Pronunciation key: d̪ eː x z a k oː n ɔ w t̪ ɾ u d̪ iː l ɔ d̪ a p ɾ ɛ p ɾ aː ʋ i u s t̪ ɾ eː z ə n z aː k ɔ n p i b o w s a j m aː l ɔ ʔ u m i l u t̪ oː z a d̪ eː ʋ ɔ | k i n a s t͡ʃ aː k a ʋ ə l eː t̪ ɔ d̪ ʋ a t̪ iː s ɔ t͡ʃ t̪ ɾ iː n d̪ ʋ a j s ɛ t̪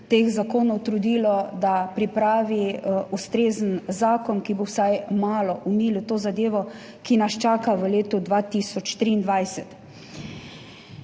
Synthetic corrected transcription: t̪ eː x z a k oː n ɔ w t̪ ɾ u d̪ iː l ɔ d̪ a p ɾ i p ɾ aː ʋ i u s t̪ ɾ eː z ə n z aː k ɔ n k i b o w s a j m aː l ɔ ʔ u m i l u t̪ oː z a d̪ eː ʋ ɔ | k i n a s t͡ʃ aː k a ʋ ə l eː t̪ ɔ d̪ ʋ a t̪ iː s ɔ t͡ʃ t̪ ɾ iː n d̪ ʋ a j s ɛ t̪

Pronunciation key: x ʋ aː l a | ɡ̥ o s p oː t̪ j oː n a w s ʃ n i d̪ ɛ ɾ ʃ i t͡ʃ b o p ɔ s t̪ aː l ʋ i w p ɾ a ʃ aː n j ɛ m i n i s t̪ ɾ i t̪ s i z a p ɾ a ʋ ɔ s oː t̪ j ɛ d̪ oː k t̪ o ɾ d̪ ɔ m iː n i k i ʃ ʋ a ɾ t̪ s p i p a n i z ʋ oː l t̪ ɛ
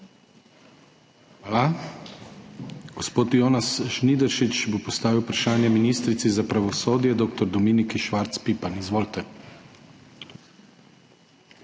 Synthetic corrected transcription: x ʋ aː l a | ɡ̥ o s p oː t̪ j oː n a s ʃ n i d̪ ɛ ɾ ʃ i t͡ʃ b o p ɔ s t̪ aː ʋ i w p ɾ a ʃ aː n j ɛ m i n i s t̪ ɾ i t̪ s i z a p ɾ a ʋ ɔ s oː d̪ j ɛ d̪ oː k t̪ ɔ ɾ d̪ ɔ m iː n i k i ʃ ʋ a ɾ t̪ s p i p a n i z ʋ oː l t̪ ɛ

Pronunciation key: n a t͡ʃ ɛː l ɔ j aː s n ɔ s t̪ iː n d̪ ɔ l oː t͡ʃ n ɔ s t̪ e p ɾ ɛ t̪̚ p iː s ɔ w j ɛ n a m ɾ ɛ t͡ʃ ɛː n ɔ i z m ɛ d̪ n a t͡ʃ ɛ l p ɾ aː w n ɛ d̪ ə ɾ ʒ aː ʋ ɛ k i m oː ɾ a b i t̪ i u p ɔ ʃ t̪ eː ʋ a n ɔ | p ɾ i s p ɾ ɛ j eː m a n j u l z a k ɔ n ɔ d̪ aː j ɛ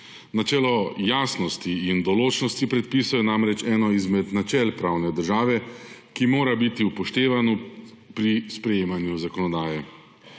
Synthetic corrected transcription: n a t͡ʃ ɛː l ɔ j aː s n ɔ s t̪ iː n d̪ ɔ l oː t͡ʃ n ɔ s t̪ i p ɾ ɛ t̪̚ p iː s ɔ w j ɛ n a m ɾ ɛ t͡ʃ ɛː n ɔ i z m ɛ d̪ n a t͡ʃ ɛ l p ɾ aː w n ɛ d̪ ə ɾ ʒ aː ʋ ɛ k i m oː ɾ a b i t̪ i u p ɔ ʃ t̪ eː ʋ a n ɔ | p ɾ i s p ɾ ɛ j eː m a n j u z a k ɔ n ɔ d̪ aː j ɛ

